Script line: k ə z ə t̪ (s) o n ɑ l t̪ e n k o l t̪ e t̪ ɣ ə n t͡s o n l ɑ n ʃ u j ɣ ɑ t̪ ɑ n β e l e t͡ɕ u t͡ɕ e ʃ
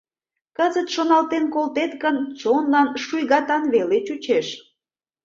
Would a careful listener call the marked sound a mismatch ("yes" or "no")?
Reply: yes